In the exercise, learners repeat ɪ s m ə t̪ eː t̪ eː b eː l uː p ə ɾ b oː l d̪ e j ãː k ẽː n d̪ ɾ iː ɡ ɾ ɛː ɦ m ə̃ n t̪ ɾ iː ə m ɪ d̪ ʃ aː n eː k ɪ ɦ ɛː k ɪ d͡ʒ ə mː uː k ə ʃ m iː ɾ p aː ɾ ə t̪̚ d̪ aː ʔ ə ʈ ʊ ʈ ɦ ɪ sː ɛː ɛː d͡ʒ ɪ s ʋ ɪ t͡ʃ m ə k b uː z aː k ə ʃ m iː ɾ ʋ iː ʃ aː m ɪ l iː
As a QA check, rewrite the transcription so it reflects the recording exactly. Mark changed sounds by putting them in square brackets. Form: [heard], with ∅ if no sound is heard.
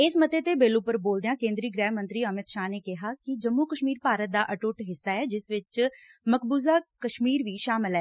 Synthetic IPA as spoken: ɪ s m ə t̪ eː t̪ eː b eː l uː p ə ɾ b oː l d̪ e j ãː k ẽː n d̪ ɾ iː ɡ ɾ ɛː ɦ m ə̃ n t̪ ɾ iː ə m ɪ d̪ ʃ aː n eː k ɪ ɦ [aː] k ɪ d͡ʒ ə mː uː k ə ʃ m iː ɾ p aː ɾ ə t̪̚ d̪ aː ʔ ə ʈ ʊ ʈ ɦ ɪ sː [aː] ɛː d͡ʒ ɪ s ʋ ɪ t͡ʃ m ə k b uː z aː k ə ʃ m iː ɾ ʋ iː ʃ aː m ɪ l [ɛː]